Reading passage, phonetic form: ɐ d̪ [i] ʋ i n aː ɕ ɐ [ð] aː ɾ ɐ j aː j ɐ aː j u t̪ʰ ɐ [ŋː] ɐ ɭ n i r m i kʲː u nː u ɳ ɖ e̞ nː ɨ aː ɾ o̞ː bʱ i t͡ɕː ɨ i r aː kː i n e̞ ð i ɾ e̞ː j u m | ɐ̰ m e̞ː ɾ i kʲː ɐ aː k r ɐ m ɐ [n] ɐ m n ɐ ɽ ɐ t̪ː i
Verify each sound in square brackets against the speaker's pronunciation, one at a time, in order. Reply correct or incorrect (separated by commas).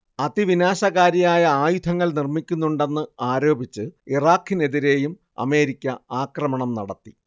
correct, incorrect, correct, incorrect